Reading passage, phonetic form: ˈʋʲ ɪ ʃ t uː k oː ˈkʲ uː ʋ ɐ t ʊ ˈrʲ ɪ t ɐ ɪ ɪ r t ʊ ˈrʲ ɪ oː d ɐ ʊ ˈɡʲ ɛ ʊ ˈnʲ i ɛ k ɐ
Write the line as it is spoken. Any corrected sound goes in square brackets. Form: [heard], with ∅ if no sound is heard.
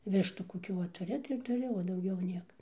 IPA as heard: ˈʋʲ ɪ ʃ t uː k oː ˈkʲ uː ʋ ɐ t ʊ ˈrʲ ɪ t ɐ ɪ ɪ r t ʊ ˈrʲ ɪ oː d ɐ ʊ ˈɡʲ ɛ ʊ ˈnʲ i ɛ k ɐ

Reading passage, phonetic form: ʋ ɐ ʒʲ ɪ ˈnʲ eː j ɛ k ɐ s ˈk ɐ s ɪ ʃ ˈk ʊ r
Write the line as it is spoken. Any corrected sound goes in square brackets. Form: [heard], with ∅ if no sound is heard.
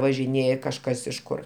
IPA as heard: ʋ ɐ ʒʲ ɪ ˈnʲ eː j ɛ k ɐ [ʃ] ˈk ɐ s ɪ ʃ ˈk ʊ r

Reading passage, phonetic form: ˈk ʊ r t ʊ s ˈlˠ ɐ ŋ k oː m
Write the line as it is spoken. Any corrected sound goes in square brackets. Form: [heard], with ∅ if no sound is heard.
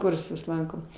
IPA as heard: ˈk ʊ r [s] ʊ s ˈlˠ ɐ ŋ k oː m

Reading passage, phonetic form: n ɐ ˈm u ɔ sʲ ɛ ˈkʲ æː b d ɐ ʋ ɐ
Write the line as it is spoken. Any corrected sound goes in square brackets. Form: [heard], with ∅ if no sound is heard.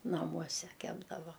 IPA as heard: n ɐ ˈm u ɔ sʲ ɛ ˈkʲ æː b d ɐ ʋ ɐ

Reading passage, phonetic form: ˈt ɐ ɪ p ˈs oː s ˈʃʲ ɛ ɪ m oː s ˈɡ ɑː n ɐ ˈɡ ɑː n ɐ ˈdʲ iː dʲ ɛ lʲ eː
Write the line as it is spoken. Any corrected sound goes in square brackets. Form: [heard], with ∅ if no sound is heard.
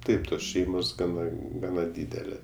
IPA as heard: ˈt ɐ ɪ p [ˈt] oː s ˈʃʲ ɛ ɪ m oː s ˈɡ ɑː n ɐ ˈɡ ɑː n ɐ ˈdʲ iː dʲ ɛ lʲ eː

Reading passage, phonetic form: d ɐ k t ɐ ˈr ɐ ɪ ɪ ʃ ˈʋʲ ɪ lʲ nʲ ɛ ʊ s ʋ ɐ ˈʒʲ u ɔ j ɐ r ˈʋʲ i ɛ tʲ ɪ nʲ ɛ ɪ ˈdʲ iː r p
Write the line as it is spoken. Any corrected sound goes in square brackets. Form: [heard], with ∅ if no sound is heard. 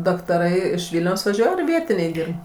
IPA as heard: d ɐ k t ɐ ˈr ɐ ɪ ɪ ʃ ˈʋʲ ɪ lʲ nʲ ɛ ʊ s ʋ ɐ ˈʒʲ u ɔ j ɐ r ˈʋʲ i ɛ tʲ ɪ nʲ ɛ ɪ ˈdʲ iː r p

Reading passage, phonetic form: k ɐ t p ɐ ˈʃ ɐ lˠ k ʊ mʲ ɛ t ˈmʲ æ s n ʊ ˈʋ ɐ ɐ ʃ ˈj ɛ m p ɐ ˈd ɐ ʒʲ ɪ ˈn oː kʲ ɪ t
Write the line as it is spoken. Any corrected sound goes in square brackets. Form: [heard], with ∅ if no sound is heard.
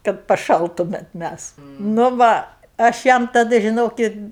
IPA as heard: k ɐ t p ɐ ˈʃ ɐ lˠ [t] ʊ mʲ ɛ t ˈmʲ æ s n ʊ ˈʋ ɐ ɐ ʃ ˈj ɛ m [t] ɐ ˈd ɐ ʒʲ ɪ ˈn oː kʲ ɪ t

